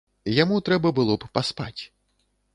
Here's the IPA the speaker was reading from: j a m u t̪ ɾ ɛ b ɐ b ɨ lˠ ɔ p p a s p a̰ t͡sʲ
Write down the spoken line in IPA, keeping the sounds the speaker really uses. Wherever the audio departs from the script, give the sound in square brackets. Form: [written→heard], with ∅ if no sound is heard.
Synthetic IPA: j a m u t̪ ɾ ɛ b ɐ b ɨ lˠ ɔ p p a s p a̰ t͡sʲ